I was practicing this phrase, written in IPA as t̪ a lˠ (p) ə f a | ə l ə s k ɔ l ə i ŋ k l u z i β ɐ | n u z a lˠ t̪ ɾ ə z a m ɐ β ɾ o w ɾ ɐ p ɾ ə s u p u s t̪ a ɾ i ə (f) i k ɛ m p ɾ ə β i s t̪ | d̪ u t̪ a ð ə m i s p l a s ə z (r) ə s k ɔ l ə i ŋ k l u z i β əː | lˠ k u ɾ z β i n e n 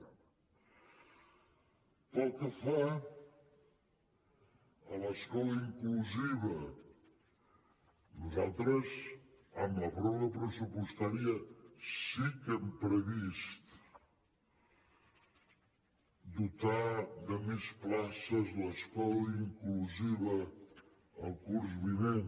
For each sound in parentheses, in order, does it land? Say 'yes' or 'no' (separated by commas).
no, no, no